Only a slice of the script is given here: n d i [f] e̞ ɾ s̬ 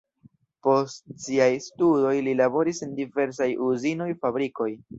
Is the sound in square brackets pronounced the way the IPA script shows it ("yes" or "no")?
no